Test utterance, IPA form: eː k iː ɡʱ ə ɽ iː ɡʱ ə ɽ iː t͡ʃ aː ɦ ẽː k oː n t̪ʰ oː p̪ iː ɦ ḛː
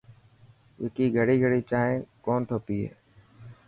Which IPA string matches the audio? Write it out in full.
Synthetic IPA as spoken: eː k iː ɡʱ ə ɽ iː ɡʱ ə ɽ iː t͡ʃ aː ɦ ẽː k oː n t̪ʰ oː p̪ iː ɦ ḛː